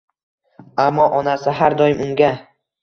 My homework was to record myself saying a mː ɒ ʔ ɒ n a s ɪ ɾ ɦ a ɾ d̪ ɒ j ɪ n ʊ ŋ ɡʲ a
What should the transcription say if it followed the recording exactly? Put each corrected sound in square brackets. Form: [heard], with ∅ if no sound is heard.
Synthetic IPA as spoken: a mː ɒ ʔ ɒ n a s ɪ [∅] ɦ a ɾ d̪ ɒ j ɪ [m] ʊ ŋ ɡʲ a